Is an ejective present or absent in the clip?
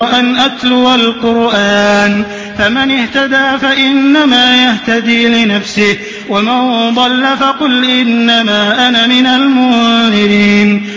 absent